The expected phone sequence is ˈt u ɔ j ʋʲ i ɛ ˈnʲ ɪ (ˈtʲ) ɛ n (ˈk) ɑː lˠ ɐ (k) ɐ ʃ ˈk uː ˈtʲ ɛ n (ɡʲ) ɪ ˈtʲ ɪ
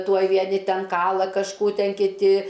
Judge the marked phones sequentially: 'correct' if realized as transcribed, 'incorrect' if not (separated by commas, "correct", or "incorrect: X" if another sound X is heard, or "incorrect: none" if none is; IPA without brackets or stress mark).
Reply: correct, correct, correct, incorrect: kʲ